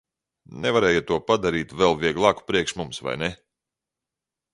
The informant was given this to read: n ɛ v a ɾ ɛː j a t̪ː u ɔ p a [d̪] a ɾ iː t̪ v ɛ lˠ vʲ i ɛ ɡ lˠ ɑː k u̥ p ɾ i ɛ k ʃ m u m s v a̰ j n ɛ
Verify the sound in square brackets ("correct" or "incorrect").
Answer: correct